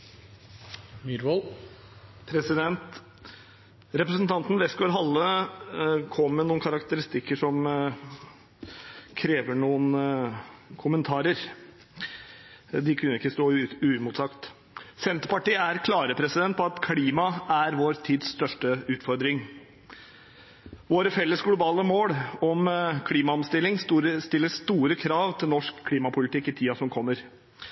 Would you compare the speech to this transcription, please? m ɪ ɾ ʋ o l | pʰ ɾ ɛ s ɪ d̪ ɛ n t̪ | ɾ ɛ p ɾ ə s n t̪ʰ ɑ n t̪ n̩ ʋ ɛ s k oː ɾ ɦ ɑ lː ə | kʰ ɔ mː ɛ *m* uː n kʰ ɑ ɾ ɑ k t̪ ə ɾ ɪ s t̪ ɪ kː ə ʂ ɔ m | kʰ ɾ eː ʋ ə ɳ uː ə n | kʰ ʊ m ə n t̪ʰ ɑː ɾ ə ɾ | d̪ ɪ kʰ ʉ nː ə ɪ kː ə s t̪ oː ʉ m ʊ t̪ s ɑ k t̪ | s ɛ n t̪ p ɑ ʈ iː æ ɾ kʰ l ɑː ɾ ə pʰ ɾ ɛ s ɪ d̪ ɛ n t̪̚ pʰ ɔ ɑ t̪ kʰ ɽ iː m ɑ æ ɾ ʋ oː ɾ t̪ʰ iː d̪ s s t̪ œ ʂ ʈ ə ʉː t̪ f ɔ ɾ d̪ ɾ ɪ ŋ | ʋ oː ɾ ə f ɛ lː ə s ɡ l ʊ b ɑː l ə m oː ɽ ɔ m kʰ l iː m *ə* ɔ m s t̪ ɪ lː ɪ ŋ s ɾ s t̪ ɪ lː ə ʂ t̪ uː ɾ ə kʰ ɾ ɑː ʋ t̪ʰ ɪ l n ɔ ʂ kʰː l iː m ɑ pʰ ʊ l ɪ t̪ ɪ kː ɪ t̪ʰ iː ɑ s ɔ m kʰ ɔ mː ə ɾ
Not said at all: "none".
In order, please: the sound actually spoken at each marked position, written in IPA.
n, ɑ

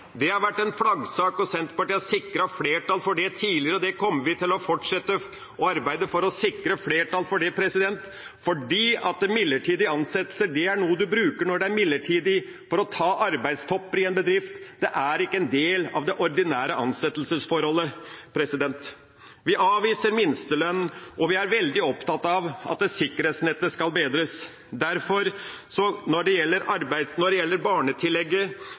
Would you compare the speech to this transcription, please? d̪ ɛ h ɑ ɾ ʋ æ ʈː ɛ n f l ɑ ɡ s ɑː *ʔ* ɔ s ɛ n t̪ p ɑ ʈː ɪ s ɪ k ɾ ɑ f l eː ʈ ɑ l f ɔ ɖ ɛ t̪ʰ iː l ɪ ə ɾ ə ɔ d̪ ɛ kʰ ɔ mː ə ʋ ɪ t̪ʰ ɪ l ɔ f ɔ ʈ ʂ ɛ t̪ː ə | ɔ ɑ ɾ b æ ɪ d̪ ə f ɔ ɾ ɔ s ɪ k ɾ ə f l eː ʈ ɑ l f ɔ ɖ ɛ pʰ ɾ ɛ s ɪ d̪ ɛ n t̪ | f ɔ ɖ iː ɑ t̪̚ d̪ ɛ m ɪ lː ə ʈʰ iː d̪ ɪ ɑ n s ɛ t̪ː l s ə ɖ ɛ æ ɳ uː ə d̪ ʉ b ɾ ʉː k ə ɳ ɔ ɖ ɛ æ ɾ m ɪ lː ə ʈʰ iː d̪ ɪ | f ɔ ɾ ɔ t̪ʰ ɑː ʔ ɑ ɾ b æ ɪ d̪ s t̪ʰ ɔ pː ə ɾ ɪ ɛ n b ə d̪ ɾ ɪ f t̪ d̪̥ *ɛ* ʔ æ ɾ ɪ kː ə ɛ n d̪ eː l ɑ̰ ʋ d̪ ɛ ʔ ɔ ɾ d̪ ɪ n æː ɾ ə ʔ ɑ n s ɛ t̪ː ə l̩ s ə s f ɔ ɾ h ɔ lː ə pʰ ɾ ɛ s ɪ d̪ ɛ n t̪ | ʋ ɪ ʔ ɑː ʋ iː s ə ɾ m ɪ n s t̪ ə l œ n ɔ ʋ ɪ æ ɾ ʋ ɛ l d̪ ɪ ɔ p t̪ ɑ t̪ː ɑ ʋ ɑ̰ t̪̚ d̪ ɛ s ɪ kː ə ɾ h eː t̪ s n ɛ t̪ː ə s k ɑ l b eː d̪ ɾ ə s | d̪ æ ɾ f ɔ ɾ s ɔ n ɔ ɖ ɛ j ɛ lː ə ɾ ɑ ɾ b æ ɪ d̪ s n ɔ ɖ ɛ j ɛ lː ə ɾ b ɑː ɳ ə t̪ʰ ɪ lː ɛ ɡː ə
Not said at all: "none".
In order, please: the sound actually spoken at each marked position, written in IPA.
k, ɛ

